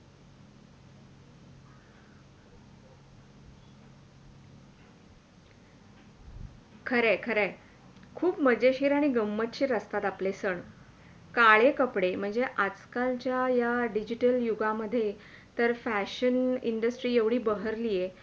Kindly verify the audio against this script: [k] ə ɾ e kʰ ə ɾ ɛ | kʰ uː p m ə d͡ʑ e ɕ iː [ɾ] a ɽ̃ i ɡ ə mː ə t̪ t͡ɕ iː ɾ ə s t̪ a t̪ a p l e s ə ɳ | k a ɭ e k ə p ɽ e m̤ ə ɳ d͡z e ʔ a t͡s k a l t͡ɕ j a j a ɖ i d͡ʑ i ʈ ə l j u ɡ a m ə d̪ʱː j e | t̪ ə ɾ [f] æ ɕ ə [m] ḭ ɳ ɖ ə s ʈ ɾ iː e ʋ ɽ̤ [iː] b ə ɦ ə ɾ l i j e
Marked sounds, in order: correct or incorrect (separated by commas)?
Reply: incorrect, correct, correct, incorrect, correct